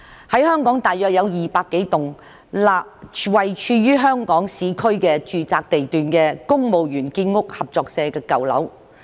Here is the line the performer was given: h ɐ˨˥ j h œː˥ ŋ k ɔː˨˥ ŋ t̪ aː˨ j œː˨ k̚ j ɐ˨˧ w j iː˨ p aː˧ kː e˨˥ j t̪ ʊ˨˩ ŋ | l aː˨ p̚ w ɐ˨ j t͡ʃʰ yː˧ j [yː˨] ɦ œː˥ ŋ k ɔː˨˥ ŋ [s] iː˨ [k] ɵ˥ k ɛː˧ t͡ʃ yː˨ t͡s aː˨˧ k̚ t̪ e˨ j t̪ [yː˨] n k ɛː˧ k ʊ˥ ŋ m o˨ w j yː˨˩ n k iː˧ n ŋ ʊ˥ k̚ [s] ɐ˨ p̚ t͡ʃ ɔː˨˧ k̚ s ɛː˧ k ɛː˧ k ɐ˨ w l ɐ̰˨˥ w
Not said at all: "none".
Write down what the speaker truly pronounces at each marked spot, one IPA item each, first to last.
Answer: yː˥, s, kʰ, yː˨, h

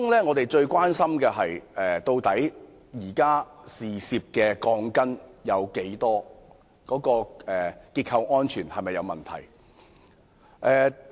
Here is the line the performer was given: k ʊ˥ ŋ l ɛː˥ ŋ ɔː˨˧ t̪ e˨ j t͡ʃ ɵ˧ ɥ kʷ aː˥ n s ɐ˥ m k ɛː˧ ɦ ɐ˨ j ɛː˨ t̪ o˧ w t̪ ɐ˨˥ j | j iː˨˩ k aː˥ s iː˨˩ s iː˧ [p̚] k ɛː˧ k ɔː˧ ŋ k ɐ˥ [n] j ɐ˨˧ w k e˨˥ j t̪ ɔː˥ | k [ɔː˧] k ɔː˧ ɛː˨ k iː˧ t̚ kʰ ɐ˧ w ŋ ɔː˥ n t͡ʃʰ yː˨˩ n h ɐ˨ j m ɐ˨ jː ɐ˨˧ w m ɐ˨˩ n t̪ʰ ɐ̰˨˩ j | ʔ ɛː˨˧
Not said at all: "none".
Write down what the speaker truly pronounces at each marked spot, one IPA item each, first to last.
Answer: p̚, n, ɔː˨˥

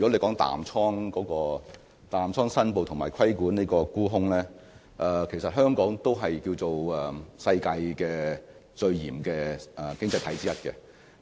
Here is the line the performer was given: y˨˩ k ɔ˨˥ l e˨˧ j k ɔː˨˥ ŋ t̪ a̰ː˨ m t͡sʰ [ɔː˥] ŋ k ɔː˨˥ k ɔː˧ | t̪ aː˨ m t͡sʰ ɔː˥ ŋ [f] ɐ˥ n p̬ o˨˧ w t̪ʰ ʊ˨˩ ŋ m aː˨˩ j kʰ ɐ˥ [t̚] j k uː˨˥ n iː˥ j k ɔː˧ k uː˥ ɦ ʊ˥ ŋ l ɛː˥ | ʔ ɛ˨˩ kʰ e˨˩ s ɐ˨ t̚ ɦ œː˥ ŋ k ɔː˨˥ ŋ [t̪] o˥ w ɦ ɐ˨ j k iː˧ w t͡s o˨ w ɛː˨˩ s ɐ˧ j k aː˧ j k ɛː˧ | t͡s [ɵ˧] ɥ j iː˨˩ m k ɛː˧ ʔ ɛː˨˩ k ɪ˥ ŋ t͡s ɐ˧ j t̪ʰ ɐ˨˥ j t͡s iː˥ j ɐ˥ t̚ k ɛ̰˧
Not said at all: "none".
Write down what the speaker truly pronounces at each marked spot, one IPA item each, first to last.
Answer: ɔː˥, s, none, t̪, ɵ˧

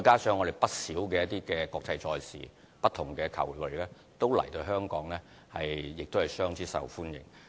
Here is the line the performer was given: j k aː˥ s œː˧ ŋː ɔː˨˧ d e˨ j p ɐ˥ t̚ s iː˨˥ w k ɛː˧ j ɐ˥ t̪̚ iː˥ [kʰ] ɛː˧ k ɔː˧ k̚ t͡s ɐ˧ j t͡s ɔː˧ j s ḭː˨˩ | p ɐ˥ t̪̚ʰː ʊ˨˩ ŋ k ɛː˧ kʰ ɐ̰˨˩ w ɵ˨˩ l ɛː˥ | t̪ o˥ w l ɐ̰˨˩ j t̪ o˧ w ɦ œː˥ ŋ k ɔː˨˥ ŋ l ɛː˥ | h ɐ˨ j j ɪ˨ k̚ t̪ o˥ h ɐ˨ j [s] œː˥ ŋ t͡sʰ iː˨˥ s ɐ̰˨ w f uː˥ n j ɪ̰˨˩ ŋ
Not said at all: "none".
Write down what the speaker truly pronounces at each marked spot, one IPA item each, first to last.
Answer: k, s

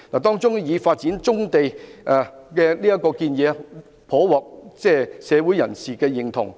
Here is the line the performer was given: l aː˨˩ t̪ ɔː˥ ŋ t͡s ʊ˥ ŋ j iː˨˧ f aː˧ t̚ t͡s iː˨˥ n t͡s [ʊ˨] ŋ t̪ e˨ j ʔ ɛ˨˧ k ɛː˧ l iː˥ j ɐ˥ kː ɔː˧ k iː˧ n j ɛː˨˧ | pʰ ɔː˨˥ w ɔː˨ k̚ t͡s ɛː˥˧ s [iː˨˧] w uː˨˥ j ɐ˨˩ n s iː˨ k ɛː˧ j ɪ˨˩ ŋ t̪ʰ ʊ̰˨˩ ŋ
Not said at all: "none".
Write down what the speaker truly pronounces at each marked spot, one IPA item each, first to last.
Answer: ʊ˥, ɛː˨˧

